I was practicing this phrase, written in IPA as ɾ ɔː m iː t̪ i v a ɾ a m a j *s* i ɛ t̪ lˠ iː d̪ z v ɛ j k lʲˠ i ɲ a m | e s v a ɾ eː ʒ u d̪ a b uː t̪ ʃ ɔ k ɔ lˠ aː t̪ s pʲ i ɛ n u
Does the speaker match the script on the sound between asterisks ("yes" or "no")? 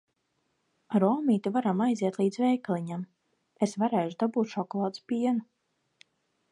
no